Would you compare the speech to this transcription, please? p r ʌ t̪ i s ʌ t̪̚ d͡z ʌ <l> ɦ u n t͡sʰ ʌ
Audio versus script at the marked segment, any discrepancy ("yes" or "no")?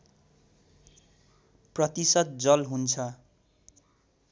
no